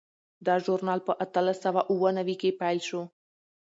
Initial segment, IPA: d̪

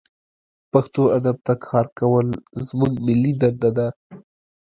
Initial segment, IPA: p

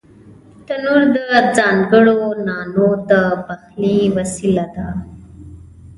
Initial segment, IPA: t̪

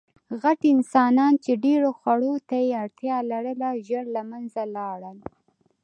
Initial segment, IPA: ɣ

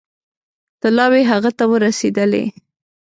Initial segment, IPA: t̪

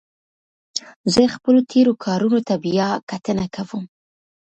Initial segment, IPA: z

